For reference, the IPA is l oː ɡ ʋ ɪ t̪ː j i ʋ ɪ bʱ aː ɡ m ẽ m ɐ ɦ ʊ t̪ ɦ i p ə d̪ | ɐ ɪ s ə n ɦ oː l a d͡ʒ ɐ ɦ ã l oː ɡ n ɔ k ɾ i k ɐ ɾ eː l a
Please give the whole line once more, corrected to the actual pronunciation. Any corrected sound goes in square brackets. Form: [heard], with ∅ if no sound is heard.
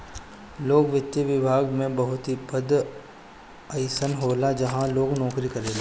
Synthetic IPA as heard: l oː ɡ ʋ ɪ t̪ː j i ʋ ɪ bʱ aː ɡ m ẽ [b] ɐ ɦ ʊ t̪ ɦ i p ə d̪ | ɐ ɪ s ə n ɦ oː l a d͡ʒ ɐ ɦ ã l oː ɡ n [ɔː] k ɾ i k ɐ ɾ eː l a